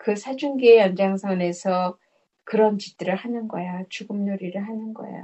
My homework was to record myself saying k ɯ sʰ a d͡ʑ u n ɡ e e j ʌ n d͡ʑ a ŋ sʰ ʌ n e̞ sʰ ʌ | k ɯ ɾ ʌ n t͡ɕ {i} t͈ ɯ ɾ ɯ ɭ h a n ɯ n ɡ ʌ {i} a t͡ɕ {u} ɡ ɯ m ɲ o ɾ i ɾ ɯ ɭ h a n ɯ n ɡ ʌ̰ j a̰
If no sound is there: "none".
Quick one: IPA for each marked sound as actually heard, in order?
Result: i, j, u

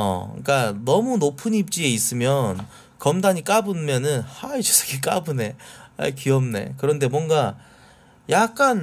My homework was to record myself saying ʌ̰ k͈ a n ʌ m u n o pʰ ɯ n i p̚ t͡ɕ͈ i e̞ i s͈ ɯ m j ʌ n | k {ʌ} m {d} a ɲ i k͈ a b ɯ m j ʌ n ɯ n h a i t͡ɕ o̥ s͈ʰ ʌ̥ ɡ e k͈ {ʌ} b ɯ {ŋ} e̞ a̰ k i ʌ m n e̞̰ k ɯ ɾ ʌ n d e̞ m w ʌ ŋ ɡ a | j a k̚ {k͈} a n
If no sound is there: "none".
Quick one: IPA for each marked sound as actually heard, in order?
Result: ʌ, d, a, n, k͈

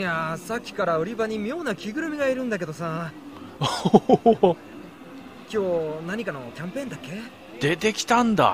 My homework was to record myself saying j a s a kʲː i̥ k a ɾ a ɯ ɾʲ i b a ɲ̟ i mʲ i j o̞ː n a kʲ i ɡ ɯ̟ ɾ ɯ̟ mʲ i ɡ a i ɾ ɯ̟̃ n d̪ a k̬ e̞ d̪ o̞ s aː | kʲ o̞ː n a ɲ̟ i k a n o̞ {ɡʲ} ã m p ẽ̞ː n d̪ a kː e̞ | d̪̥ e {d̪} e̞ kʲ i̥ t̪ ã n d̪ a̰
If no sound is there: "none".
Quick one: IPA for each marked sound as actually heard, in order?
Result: kʲ, t̪

